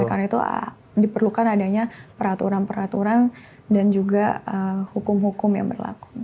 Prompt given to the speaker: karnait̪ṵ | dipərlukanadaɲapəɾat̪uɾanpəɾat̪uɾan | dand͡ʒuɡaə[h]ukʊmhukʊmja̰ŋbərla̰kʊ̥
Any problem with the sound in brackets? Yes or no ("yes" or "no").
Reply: no